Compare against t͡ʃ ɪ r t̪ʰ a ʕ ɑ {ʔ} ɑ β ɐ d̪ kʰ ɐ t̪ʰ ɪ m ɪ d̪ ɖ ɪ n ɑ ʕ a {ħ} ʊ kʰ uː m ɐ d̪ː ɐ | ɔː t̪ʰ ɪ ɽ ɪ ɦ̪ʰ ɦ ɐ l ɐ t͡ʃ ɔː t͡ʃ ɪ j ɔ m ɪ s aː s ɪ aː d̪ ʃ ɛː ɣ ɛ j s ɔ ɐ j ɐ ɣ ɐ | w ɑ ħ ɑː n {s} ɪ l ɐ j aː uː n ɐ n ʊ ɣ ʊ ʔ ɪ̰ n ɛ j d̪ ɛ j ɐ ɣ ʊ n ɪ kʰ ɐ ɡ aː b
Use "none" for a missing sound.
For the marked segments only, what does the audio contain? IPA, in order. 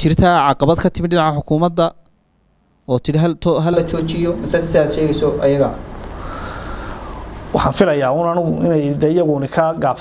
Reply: q, ħ, f

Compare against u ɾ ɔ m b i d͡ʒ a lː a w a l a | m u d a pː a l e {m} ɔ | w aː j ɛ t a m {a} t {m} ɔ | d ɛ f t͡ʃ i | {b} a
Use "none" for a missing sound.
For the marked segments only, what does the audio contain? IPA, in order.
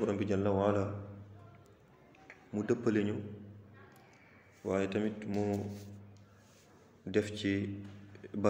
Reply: ɲ, i, m, b

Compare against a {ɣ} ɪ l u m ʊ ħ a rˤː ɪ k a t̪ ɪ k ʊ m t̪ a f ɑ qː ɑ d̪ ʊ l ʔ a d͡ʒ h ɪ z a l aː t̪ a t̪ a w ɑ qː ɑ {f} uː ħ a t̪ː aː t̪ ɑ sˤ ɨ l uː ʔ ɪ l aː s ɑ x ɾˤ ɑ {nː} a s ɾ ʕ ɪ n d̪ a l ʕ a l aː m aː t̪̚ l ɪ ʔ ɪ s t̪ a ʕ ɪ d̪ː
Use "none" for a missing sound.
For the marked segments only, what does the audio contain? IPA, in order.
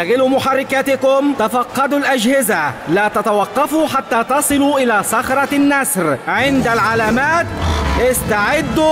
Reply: ɣ, f, nː

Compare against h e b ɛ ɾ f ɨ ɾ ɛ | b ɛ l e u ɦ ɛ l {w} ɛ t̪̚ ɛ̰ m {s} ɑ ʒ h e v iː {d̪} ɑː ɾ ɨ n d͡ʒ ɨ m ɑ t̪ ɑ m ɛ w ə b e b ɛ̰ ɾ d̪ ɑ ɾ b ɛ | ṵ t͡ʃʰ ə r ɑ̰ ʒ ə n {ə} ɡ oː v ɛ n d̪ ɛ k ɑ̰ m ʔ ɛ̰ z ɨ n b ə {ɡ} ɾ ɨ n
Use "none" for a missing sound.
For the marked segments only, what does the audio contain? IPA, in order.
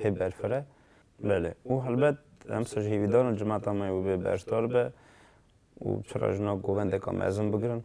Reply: b, s, d̪, ɑ, ɡ

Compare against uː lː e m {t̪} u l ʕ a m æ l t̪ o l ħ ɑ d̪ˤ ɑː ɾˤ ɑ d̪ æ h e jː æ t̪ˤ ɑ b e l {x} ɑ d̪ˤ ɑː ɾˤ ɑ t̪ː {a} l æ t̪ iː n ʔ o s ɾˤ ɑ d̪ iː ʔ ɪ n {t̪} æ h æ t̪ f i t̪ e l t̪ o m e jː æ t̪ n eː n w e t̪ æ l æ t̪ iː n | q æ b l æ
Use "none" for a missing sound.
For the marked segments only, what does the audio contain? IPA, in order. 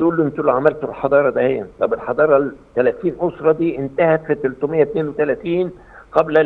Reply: t̪, ħ, æ, t̪

